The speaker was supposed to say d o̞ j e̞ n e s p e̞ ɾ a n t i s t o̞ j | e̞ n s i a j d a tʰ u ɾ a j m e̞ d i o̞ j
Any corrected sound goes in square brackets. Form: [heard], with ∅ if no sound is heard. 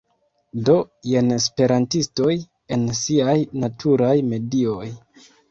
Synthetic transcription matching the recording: d o̞ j e̞ n e s p e̞ ɾ a n t i s t o̞ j | e̞ n s i a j [n] a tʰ u ɾ a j m e̞ d i o̞ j